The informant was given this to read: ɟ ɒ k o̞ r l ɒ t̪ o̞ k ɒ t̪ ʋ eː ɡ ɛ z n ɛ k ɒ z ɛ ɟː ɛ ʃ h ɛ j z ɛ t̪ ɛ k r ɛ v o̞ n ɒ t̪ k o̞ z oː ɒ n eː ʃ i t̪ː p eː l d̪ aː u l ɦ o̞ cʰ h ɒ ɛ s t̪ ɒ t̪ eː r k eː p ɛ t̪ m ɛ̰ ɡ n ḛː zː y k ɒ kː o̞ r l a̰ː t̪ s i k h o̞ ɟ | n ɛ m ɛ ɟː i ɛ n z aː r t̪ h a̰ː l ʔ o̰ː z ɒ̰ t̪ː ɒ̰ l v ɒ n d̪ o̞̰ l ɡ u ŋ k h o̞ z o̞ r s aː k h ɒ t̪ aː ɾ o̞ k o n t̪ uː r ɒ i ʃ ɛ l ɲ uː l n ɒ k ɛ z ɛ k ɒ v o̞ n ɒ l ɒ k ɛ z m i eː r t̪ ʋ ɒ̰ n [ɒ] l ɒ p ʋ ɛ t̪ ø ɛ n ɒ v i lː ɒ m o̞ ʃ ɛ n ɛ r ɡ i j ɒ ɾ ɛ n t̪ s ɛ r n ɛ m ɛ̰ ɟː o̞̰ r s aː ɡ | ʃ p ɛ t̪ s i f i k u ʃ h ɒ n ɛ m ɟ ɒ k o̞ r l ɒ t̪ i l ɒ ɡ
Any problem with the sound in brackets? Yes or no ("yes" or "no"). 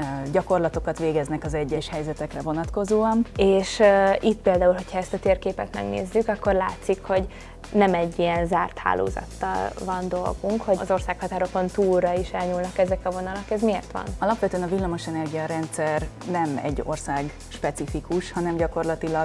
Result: no